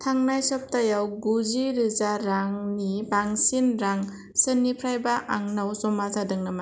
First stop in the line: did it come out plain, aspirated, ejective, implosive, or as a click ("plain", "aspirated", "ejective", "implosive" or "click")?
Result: aspirated